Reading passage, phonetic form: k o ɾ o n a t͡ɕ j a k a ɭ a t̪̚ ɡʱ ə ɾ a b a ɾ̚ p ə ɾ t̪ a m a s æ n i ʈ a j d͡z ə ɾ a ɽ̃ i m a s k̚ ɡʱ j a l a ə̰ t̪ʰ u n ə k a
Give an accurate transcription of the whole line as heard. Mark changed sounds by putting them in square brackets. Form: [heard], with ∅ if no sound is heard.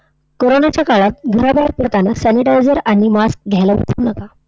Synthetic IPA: k o ɾ o n a t͡ɕ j a k a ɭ a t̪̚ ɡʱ ə ɾ a b a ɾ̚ p ə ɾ t̪ a [n] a s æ n i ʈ a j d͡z ə ɾ a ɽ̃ i m a s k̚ ɡʱ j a l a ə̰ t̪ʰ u n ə k a